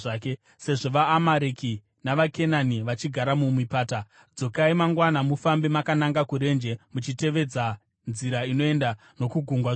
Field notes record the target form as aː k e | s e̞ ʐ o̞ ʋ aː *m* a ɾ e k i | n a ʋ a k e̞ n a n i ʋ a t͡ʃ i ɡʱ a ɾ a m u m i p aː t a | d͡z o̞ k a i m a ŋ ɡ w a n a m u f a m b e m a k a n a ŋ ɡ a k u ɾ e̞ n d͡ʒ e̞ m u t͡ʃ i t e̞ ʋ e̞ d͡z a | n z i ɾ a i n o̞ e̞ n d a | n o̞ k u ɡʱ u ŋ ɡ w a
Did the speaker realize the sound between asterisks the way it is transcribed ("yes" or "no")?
yes